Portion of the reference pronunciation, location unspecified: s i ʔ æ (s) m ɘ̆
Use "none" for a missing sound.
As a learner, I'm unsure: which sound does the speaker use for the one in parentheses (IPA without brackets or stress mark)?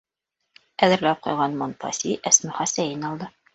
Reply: s